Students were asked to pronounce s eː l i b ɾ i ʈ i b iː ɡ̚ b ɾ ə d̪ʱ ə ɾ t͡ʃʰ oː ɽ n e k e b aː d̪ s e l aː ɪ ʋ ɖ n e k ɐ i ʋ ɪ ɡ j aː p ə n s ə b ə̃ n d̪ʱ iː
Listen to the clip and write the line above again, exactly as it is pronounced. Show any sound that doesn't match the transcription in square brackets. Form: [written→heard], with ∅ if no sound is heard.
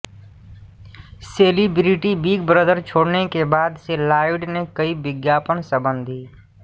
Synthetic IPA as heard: s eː l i b ɾ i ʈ i b iː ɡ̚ b ɾ ə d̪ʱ ə ɾ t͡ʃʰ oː ɽ n e k e b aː d̪ s e l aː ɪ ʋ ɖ n e k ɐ i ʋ ɪ ɡ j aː p ə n s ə b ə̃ n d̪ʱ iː